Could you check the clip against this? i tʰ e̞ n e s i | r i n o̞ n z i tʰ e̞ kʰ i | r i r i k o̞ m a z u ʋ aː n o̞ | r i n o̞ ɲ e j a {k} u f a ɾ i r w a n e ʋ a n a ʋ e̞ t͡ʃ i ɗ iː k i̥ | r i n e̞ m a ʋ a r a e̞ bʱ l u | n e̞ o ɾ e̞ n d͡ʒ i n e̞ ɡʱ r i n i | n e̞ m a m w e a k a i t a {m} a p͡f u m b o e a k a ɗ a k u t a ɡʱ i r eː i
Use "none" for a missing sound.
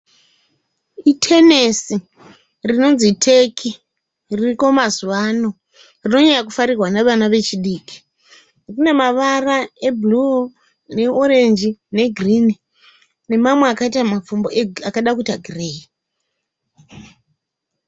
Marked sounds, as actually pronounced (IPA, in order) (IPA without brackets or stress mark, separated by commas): k, m